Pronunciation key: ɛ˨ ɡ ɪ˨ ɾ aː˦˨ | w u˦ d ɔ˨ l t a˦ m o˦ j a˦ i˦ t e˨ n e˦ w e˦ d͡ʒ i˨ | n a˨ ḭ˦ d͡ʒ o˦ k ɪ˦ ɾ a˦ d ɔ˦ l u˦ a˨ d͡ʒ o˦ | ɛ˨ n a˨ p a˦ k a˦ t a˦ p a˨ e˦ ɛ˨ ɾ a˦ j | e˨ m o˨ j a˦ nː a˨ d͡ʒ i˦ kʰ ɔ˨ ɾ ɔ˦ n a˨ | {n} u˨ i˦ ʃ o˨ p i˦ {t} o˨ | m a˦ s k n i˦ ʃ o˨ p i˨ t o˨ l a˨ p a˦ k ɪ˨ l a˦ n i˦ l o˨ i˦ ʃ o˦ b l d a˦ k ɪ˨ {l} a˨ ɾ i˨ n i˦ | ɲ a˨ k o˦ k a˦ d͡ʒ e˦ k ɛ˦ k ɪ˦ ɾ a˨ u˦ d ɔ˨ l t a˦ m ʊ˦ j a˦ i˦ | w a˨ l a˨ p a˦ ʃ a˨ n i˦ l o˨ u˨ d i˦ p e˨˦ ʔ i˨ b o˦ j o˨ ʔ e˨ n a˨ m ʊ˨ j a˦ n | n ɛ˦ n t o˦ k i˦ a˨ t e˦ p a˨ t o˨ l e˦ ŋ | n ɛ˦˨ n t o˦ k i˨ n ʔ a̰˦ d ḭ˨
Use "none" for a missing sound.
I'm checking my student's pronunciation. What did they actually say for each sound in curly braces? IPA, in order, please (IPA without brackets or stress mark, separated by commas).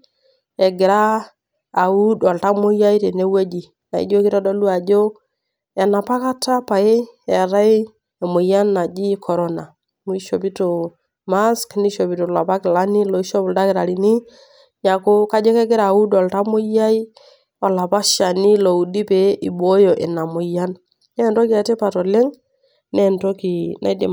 m, t, ɾ